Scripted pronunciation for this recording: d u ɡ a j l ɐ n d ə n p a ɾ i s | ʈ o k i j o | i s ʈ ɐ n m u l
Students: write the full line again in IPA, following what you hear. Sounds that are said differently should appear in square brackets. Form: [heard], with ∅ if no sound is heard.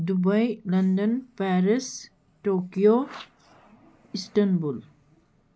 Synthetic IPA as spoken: d u [b] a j l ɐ n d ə n p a ɾ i s | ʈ o k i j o | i s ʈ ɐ n [b] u l